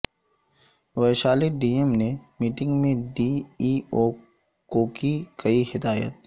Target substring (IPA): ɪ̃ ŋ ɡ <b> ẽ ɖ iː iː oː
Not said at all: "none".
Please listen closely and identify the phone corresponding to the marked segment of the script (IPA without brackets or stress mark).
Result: m